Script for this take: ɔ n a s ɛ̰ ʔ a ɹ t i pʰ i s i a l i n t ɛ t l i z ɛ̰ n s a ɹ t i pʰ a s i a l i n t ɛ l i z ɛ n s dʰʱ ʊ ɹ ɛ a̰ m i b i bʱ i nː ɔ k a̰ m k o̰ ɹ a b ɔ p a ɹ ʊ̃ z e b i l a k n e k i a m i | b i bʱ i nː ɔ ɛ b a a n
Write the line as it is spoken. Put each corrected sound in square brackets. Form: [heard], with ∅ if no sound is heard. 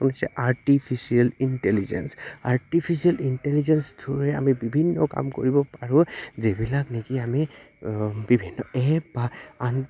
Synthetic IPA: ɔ n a s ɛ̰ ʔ a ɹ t i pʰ i s i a l i n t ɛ [∅] l i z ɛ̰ n s a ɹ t i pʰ [i] s i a l i n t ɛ l i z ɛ n s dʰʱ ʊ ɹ ɛ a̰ m i b i bʱ i nː ɔ k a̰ m k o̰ ɹ [i] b ɔ p a ɹ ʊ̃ z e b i l a k n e k i a m i | b i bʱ i nː ɔ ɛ b a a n